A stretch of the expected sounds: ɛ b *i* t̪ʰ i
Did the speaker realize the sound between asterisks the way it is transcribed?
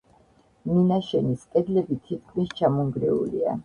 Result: yes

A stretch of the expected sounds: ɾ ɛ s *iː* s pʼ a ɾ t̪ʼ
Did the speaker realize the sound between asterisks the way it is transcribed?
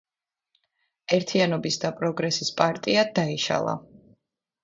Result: no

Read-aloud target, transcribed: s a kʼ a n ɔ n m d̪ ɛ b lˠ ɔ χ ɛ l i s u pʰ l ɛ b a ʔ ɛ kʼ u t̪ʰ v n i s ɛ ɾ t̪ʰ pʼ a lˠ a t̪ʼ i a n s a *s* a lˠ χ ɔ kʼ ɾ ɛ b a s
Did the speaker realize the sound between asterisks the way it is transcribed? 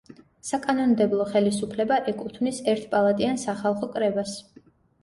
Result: no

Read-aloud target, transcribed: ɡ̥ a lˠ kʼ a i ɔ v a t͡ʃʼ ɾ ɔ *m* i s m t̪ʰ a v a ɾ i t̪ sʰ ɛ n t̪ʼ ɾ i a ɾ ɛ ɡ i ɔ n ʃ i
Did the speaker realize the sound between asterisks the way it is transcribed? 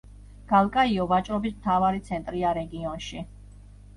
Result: no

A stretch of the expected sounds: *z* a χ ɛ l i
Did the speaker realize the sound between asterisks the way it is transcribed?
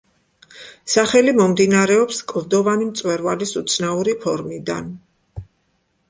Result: no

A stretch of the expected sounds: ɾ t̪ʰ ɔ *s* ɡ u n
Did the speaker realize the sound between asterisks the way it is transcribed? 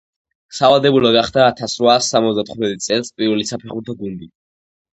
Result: no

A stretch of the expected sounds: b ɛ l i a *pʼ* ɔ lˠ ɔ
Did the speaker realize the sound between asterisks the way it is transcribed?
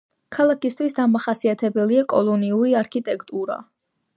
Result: no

